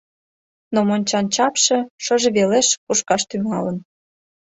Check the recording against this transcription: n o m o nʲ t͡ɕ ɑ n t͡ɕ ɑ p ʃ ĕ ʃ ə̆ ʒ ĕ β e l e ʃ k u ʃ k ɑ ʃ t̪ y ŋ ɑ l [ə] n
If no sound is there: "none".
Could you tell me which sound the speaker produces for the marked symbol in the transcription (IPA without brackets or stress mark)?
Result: ə